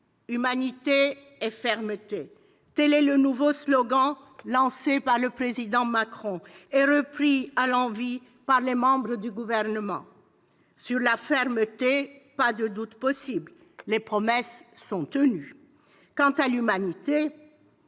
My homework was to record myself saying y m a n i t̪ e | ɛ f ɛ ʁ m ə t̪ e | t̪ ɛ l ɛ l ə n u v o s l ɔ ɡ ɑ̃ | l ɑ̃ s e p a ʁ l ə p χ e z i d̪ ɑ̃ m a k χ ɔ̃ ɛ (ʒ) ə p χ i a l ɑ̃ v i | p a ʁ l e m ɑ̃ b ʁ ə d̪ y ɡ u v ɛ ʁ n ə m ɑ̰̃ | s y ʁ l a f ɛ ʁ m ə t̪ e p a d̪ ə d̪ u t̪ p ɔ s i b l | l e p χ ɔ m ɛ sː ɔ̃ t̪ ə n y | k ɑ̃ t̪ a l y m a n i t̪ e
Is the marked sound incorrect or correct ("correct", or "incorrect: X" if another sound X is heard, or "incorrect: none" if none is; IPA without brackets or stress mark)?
incorrect: ʁ